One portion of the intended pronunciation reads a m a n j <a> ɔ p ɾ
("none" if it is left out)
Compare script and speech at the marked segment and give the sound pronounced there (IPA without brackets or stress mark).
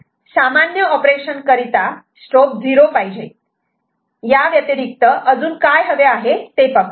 ə